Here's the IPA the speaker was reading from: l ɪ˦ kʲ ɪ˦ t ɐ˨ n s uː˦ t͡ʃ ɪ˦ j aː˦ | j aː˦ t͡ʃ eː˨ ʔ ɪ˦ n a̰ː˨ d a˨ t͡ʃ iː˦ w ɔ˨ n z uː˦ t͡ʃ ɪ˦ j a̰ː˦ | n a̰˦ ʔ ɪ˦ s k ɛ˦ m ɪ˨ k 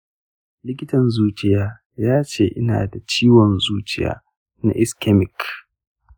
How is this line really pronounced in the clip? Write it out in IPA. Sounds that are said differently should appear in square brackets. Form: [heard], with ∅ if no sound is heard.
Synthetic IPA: l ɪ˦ kʲ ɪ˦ t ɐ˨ n [z] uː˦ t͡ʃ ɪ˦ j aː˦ | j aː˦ t͡ʃ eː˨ ʔ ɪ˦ n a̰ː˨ d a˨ t͡ʃ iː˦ w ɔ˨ n z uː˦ t͡ʃ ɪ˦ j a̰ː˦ | n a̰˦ ʔ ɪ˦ s k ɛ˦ m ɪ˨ k

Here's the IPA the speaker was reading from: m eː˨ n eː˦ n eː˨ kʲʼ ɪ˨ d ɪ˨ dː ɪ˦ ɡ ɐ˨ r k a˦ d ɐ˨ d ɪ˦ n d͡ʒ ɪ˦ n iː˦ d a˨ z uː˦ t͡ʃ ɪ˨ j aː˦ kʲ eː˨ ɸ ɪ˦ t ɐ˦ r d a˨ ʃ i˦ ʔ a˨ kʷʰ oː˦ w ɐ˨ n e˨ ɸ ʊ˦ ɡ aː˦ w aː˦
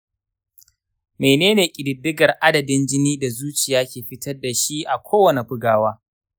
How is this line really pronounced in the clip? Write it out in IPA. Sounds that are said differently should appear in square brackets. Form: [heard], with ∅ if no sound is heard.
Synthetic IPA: m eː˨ n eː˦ n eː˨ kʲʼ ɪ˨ d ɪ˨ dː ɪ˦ ɡ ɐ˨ r [ʔ] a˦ d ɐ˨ d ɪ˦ n d͡ʒ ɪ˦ n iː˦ d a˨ z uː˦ t͡ʃ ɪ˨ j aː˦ kʲ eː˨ ɸ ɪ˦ t ɐ˦ r d a˨ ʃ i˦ ʔ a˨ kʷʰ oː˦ w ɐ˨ n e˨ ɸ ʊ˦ ɡ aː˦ w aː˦

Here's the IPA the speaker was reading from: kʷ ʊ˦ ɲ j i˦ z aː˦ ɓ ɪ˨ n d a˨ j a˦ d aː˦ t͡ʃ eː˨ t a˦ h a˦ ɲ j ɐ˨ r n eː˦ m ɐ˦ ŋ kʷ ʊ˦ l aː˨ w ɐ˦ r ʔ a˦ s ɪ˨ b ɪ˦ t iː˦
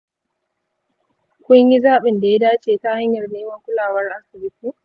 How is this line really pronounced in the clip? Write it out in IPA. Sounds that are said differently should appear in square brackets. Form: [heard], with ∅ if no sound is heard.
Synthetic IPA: kʷ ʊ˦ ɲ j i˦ z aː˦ ɓ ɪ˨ n d a˨ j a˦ d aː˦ t͡ʃ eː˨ t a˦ h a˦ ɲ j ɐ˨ r n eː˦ m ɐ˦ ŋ kʷ ʊ˦ l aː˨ w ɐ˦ r ʔ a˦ s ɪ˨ b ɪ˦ t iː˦

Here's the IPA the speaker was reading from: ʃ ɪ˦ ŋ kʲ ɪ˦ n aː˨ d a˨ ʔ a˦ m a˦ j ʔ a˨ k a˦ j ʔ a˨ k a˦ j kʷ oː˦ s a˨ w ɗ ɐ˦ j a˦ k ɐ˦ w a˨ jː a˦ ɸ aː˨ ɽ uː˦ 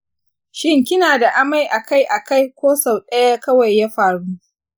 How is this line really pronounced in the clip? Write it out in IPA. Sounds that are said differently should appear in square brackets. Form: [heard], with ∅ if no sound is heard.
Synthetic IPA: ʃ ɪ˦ ŋ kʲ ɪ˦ n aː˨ d a˨ ʔ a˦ m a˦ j ʔ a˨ k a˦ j ʔ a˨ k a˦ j kʷ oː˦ s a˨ w ɗ ɐ˦ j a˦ k ɐ˦ w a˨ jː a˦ ɸ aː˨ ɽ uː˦

